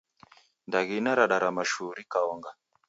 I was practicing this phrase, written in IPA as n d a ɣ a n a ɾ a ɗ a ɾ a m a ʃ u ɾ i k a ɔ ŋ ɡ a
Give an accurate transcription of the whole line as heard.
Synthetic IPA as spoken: n d a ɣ i n a ɾ a ɗ a ɾ a m a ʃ u ɾ i k a ɔ ŋ ɡ a